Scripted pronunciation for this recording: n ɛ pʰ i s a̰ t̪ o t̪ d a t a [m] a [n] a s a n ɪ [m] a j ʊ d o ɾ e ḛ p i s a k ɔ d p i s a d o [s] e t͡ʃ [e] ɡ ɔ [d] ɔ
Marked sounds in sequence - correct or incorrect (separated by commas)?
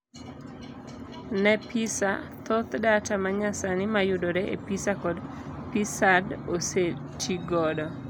correct, incorrect, correct, correct, incorrect, correct